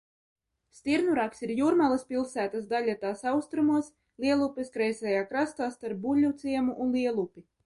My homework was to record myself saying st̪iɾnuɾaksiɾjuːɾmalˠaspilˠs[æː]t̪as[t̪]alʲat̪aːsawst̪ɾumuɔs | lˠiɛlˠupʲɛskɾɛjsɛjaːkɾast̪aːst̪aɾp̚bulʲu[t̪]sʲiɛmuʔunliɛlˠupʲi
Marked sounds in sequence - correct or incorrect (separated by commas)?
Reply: correct, incorrect, correct